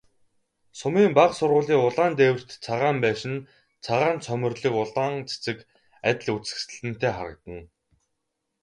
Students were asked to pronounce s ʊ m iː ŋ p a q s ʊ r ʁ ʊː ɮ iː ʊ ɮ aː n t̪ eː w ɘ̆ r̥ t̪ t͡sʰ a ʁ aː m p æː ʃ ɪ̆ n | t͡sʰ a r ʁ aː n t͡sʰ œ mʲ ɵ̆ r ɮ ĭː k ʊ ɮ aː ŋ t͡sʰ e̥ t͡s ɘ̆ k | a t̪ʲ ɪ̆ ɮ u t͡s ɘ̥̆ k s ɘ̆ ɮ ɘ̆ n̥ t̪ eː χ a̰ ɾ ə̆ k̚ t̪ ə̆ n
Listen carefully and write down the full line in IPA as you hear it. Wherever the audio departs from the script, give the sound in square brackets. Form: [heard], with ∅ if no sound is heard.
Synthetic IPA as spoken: s ʊ m iː [m] p a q s ʊ r ʁ ʊː ɮ iː ʊ ɮ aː n t̪ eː w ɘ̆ r̥ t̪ t͡sʰ a ʁ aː m p æː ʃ ɪ̆ n | t͡sʰ a [∅] ʁ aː n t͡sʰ œ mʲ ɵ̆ r ɮ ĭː k ʊ ɮ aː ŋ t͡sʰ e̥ t͡s ɘ̆ k | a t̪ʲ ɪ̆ ɮ u t͡s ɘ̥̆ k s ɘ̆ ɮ ɘ̆ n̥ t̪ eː χ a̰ ɾ ə̆ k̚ t̪ ə̆ n